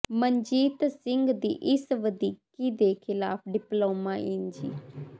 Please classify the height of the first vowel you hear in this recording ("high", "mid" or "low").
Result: mid